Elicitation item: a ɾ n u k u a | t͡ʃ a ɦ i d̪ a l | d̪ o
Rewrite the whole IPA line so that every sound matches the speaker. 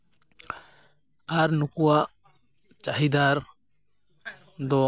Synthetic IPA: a ɾ n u k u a | t͡ʃ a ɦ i d̪ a ɾ | d̪ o